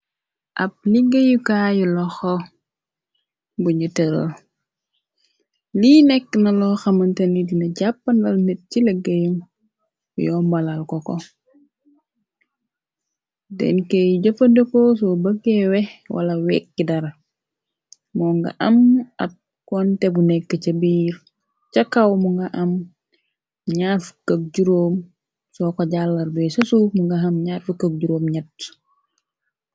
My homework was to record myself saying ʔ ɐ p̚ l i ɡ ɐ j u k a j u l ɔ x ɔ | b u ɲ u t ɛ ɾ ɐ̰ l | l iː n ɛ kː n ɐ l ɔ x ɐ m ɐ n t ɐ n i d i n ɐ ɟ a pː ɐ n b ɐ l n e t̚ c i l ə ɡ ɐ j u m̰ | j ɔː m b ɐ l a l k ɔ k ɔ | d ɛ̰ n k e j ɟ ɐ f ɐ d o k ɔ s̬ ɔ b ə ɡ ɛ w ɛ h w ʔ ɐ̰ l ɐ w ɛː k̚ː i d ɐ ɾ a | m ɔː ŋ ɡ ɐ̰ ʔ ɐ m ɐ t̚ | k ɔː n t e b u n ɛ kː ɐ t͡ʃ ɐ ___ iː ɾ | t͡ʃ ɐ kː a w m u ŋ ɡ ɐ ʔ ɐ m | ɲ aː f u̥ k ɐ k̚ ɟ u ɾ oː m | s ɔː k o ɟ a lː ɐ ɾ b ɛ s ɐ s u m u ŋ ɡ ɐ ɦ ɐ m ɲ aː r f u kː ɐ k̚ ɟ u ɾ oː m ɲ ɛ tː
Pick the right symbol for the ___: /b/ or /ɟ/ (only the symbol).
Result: b